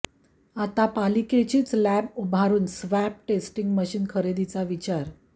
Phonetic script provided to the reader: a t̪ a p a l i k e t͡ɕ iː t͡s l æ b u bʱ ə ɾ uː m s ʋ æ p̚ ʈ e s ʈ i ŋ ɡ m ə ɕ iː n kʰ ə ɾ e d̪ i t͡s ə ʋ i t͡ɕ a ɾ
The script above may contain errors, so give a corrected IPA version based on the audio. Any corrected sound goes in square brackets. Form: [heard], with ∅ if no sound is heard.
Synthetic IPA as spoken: a t̪ a p a l i k e t͡ɕ iː t͡s l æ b u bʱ [a] ɾ uː [n] s ʋ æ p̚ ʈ e s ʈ i ŋ ɡ m ə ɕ iː n kʰ ə ɾ e d̪ i t͡s [a] ʋ i t͡ɕ a ɾ